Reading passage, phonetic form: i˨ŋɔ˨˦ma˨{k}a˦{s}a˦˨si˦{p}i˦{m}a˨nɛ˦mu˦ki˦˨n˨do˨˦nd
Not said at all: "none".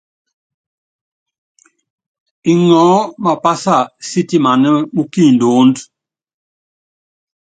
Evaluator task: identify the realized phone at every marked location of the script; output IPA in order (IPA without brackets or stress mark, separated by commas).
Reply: p, s, t, m